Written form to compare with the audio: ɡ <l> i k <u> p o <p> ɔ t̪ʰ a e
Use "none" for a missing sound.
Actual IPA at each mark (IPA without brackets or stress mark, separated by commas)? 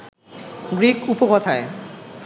ɾ, u, k